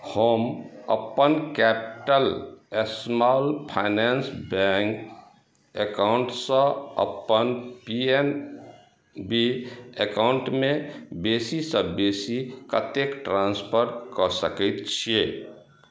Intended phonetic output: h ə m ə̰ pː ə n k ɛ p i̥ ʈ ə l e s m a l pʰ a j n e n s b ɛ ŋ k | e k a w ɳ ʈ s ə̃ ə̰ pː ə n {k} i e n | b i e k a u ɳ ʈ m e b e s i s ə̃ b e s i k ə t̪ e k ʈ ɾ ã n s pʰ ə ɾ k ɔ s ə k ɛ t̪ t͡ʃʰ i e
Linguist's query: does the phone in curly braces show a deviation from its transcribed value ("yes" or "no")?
yes